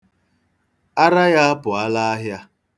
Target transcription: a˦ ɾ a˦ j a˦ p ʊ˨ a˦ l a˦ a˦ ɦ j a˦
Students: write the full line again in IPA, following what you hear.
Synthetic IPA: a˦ ɾ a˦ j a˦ p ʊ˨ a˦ l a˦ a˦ ɦ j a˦